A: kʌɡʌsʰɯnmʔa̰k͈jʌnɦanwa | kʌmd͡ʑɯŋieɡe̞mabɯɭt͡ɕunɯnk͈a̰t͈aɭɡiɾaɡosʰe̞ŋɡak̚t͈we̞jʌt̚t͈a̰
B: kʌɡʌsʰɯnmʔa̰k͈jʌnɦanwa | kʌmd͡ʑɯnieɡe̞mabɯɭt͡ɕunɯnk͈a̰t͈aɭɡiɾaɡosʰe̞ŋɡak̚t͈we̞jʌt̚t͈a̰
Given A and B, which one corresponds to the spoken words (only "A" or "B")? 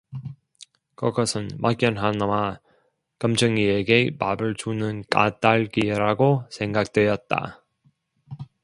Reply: A